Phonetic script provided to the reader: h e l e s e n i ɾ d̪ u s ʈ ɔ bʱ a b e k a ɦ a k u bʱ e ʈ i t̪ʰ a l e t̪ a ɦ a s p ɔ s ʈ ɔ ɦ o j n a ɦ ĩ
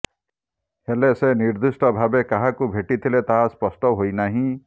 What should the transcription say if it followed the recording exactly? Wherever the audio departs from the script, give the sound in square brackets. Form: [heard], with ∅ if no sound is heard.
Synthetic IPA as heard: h e l e s e n i ɾ d̪ u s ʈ ɔ bʱ a b e k a ɦ a k u bʱ e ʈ i t̪ʰ [i] l e t̪ a ɦ a s p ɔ s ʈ ɔ ɦ o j n a ɦ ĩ